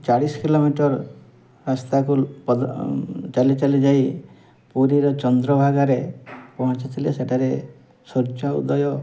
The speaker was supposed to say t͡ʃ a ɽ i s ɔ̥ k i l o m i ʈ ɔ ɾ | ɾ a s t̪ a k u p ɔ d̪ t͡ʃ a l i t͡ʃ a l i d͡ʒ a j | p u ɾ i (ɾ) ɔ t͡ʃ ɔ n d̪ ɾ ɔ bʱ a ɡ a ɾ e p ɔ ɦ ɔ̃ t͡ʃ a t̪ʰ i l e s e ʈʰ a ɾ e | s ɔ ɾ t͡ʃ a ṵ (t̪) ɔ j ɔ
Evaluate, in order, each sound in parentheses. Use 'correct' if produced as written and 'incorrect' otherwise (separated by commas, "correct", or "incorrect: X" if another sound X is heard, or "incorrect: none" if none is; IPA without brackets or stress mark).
correct, incorrect: d̪